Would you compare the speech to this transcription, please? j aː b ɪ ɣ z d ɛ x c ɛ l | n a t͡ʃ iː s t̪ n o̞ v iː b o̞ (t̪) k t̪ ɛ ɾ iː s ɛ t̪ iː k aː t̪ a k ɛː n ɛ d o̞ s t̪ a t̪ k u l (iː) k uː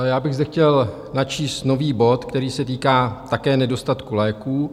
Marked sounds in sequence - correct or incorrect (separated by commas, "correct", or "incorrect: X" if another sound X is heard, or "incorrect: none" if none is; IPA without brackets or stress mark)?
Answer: correct, incorrect: ɛː